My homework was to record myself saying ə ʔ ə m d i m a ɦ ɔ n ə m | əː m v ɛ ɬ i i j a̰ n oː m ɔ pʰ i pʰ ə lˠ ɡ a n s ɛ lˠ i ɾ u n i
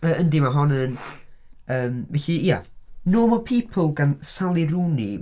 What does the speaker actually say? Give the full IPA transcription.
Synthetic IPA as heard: ə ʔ ə n d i m a ɦ ɔ n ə n | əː m v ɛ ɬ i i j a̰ n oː m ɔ pʰ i pʰ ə lˠ ɡ a n s a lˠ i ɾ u n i